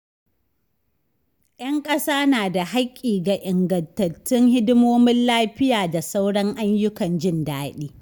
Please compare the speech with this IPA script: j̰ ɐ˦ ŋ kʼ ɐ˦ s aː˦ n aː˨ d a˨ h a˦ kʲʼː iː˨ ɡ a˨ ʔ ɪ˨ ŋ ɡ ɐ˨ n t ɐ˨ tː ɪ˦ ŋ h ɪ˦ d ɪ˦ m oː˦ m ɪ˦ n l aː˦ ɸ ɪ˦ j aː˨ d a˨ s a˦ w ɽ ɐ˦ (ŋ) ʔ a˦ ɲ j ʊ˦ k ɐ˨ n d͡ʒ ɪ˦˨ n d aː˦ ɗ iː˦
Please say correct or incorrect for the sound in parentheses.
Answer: correct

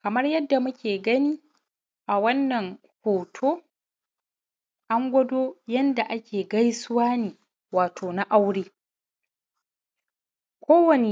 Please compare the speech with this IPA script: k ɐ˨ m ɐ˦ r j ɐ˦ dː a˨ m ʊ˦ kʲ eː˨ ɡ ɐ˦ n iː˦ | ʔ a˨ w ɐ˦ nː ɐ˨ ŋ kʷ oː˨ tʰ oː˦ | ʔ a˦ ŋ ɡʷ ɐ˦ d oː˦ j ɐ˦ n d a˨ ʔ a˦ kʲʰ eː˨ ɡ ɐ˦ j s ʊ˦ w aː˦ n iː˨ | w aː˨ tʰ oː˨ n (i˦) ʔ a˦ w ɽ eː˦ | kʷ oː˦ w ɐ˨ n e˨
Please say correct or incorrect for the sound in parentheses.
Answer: incorrect: a˦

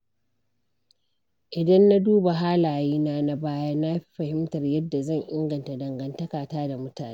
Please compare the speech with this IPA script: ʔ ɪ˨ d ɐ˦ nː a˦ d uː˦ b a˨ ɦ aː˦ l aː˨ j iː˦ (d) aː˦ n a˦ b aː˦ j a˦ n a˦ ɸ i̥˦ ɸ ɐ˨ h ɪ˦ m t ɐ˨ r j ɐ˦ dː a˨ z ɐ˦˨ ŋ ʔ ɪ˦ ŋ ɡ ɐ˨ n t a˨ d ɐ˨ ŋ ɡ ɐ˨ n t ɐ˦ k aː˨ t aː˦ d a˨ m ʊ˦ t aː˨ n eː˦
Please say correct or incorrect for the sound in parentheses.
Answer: incorrect: n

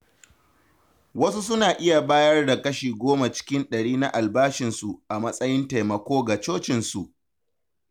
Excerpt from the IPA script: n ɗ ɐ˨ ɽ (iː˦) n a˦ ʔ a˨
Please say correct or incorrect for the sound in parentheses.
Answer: correct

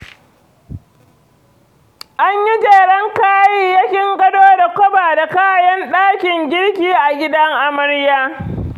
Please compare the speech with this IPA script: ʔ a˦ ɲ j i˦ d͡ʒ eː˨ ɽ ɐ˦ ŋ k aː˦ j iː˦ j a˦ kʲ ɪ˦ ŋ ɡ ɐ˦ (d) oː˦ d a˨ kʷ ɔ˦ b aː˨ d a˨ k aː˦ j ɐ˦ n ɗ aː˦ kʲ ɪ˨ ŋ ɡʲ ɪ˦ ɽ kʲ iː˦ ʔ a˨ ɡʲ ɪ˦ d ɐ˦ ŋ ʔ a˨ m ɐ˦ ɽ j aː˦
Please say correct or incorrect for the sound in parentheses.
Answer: correct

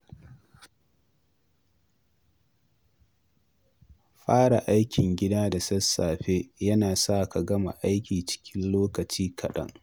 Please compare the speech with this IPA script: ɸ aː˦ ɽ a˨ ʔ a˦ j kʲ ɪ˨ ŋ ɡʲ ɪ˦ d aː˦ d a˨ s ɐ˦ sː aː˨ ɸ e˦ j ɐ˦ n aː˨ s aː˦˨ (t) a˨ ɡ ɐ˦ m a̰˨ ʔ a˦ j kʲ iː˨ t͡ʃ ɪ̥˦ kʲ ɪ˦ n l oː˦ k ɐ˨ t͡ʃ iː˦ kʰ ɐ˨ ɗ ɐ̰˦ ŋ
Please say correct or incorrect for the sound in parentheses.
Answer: incorrect: k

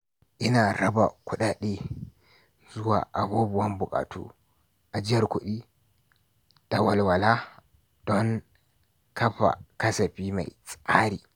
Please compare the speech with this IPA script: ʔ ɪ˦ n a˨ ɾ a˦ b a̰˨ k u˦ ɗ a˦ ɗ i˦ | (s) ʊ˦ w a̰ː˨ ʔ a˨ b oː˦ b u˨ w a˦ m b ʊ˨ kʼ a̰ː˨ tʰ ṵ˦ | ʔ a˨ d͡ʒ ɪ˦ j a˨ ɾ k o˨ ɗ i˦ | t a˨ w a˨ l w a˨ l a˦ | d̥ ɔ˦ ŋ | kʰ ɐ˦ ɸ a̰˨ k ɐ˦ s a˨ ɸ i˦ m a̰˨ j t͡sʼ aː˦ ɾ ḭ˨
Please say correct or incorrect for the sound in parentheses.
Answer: incorrect: z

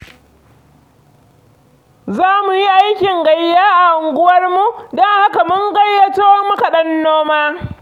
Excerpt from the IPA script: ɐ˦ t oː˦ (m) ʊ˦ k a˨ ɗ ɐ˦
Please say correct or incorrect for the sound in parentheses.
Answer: correct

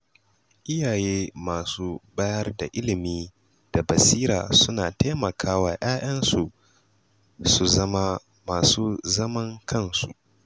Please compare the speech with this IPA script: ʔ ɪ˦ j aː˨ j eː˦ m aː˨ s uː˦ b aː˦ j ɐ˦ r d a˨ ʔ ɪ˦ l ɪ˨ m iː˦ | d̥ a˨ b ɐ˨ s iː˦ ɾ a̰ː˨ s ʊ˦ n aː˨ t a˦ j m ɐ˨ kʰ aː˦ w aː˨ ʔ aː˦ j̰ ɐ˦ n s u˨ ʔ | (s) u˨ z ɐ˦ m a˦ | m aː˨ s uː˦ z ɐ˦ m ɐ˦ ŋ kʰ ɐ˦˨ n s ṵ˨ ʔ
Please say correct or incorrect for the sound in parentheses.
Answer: correct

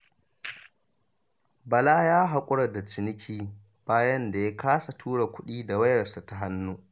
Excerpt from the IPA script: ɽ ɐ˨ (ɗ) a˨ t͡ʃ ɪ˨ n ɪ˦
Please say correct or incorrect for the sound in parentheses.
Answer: incorrect: d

